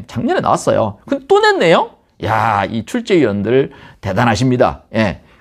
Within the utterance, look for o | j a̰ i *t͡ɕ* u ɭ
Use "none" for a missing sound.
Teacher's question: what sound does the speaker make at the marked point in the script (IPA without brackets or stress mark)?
t͡ɕʰ